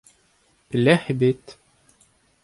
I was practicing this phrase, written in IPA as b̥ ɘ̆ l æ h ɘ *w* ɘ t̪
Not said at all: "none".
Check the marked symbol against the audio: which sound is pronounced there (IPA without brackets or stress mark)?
b